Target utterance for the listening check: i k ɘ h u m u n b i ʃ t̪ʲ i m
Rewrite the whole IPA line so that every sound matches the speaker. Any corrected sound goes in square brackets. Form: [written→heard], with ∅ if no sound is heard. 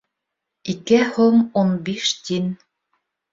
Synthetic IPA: i k ɘ h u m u n b i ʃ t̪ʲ i [m→n]

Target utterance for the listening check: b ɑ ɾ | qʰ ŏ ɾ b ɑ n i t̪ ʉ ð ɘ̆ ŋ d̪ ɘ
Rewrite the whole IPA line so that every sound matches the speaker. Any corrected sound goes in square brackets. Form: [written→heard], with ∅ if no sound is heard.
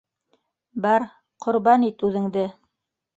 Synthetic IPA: b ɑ ɾ | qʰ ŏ ɾ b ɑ n i t̪ ʉ ð ɘ̆ ŋ d̪ ɘ

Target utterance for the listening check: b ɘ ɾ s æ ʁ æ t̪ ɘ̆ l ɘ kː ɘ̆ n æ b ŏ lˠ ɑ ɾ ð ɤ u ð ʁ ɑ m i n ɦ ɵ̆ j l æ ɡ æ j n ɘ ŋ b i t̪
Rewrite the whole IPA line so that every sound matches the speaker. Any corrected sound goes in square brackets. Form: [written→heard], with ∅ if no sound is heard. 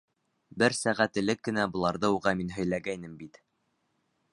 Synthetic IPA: b ɘ ɾ s æ ʁ æ t̪ ɘ̆ l ɘ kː ɘ̆ n æ b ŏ lˠ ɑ ɾ ð ɤ u [ð→∅] ʁ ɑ m i n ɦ ɵ̆ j l æ ɡ æ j n ɘ [ŋ→m] b i t̪

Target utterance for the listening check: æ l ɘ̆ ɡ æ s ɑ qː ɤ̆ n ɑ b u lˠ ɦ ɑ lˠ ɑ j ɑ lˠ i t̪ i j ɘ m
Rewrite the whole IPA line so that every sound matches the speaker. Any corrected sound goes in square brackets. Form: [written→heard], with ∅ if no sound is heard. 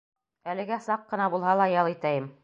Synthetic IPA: æ l ɘ̆ ɡ æ s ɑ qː ɤ̆ n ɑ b u lˠ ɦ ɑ lˠ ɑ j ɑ lˠ i t̪ [i→æ] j ɘ m

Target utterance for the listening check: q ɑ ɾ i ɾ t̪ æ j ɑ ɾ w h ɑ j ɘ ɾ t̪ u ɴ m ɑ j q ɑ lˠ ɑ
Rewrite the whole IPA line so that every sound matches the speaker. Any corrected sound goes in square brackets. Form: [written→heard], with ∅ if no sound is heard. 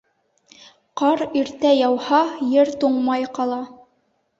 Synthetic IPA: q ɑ ɾ i ɾ t̪ æ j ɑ [ɾ→∅] w h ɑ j ɘ ɾ t̪ u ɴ m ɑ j q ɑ lˠ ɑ

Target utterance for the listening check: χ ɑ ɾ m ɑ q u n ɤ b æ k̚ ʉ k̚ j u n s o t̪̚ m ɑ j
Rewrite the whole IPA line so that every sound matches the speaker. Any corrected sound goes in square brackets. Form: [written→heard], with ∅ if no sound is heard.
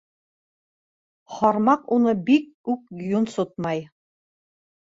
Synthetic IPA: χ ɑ ɾ m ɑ q u n ɤ b [æ→i] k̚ ʉ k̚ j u n s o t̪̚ m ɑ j

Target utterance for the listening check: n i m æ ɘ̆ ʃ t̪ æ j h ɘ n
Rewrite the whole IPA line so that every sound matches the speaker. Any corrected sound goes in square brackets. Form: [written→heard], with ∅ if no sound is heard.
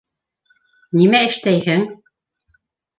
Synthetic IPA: n i m æ ɘ̆ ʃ t̪ æ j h ɘ [n→ŋ]

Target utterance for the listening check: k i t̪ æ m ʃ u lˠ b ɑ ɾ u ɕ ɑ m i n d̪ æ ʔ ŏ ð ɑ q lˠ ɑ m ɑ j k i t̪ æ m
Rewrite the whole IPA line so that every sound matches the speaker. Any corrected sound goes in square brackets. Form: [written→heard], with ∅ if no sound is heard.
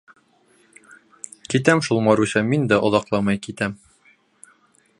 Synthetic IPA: k i t̪ æ m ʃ u lˠ [b→m] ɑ ɾ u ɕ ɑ m i n d̪ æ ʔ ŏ ð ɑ q lˠ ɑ m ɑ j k i t̪ æ m

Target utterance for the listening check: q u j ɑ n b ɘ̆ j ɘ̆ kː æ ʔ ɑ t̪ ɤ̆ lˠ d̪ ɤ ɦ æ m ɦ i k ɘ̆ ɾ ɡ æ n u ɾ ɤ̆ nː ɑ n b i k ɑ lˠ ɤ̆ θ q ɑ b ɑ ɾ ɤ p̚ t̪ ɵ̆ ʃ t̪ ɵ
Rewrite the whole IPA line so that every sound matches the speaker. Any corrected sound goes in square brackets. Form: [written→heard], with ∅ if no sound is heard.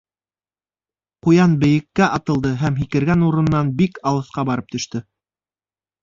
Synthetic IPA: q u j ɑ n b ɘ̆ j ɘ̆ kː æ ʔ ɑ t̪ ɤ̆ lˠ d̪ ɤ ɦ æ m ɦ i k ɘ̆ ɾ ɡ æ n u ɾ ɤ̆ nː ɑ n b i k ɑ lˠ ɤ̆ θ q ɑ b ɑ ɾ ɤ p̚ t̪ ɵ̆ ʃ t̪ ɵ

